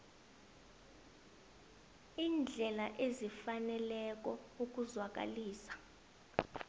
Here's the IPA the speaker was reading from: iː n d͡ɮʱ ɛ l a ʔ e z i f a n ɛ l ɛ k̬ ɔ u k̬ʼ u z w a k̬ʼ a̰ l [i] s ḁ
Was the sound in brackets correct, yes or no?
no